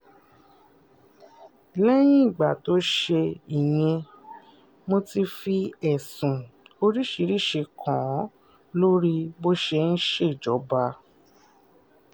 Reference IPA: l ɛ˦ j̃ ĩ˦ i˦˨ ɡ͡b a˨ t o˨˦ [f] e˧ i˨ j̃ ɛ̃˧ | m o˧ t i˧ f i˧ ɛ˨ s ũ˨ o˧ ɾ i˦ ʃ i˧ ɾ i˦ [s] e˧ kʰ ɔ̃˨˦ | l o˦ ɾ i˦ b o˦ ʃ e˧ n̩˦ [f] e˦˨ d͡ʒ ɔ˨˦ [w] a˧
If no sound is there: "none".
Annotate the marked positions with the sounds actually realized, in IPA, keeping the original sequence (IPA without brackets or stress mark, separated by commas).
ʃ, ʃ, ʃ, b